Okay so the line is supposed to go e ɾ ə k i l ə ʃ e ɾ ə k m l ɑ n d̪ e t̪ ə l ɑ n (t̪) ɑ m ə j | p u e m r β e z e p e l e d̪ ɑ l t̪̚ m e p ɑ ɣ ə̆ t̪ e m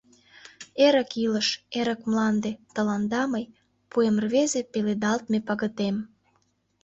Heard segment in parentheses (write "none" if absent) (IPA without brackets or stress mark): d̪